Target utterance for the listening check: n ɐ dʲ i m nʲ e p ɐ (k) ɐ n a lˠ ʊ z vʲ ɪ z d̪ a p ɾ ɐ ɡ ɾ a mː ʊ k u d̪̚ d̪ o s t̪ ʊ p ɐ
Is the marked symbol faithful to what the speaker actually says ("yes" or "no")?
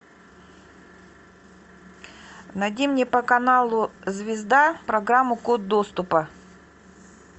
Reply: yes